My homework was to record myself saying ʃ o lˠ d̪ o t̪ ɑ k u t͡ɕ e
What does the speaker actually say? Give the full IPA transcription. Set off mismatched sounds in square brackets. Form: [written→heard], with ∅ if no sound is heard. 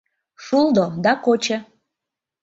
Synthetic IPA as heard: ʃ [o→u] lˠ d̪ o [t̪→d̪] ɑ k [u→o] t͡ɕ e